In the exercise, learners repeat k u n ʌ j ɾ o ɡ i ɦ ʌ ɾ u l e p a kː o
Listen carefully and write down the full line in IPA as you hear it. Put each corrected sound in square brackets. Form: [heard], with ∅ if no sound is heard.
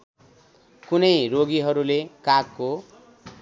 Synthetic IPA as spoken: k u n ʌ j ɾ o ɡ i ɦ ʌ ɾ u l e [k] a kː o